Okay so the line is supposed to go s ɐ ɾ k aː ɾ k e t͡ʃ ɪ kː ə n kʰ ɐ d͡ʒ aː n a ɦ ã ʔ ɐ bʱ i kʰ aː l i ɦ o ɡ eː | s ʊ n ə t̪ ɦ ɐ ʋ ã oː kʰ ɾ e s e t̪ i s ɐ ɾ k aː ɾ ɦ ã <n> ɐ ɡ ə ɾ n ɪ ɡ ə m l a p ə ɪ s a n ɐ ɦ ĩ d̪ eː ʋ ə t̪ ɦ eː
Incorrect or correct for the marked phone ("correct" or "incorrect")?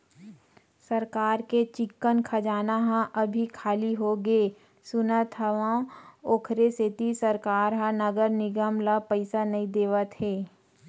correct